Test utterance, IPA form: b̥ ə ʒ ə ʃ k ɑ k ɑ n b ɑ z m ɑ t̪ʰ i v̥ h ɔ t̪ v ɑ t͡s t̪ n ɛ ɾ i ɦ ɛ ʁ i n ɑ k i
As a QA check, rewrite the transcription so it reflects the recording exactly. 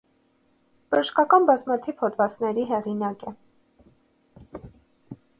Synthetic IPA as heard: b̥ ə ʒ ə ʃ k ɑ k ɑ n b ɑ z m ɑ t̪ʰ i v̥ h ɔ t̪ v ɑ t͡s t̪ n ɛ ɾ i ɦ ɛ ʁ i n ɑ k ɛ